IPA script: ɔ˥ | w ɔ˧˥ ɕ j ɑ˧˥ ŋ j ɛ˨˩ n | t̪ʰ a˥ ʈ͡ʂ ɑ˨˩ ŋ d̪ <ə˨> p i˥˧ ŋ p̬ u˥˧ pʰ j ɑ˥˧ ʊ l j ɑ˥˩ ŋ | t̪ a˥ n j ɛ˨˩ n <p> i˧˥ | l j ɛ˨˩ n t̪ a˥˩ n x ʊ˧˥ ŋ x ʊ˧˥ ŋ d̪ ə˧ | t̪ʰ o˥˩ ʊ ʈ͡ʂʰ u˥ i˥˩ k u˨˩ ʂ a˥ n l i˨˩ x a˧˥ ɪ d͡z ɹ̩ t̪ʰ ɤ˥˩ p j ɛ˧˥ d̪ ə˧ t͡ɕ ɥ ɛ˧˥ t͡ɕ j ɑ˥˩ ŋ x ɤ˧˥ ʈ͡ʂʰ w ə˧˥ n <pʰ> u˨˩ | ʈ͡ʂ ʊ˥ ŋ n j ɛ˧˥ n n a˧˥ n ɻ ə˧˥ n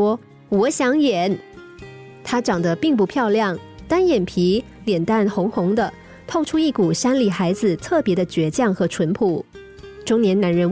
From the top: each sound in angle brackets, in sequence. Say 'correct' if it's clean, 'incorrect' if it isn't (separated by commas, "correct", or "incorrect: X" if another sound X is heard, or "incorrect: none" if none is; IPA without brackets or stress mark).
incorrect: ə˦, incorrect: pʰ, correct